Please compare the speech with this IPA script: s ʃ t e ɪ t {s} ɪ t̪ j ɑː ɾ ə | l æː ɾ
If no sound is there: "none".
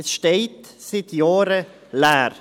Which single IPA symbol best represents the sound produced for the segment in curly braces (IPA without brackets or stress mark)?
s